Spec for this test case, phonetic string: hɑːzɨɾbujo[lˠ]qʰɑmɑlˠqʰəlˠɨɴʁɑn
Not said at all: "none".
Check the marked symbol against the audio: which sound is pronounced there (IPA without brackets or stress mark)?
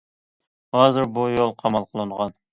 lˠ